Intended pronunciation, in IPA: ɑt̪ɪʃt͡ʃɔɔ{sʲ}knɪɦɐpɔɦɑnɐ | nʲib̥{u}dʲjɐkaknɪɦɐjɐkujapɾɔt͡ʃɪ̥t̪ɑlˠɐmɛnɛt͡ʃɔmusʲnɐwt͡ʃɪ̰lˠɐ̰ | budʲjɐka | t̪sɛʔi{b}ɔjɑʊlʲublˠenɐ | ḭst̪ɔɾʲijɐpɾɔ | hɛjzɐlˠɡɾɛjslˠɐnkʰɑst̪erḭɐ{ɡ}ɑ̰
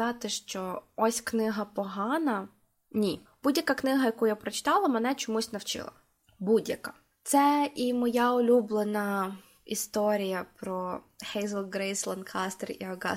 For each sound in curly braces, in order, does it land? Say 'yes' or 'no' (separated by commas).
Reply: yes, yes, no, yes